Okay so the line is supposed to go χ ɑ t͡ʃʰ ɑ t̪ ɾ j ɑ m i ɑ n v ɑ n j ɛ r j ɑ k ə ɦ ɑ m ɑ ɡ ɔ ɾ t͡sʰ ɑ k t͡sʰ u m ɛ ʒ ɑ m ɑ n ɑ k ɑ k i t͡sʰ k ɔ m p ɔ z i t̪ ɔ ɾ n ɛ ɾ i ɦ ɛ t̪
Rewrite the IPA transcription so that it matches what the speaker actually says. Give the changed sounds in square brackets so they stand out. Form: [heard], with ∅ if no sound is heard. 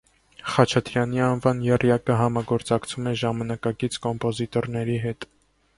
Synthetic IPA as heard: χ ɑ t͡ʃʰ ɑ t̪ ɾ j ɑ [n] i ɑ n v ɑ n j ɛ r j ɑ k ə ɦ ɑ m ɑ ɡ ɔ ɾ [t͡s] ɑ k t͡sʰ u m ɛ ʒ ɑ m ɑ n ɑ k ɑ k i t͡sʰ k ɔ m p ɔ z i t̪ ɔ ɾ n ɛ ɾ i ɦ ɛ t̪